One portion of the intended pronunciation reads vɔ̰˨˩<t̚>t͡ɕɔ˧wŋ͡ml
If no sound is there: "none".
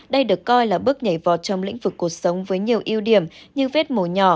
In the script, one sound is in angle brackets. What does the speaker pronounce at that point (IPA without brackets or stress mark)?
t̚